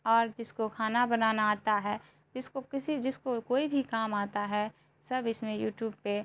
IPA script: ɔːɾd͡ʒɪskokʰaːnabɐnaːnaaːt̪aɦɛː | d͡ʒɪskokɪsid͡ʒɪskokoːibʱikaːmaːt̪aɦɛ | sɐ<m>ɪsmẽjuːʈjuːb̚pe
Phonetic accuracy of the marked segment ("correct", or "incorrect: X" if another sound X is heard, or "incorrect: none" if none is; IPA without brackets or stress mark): incorrect: b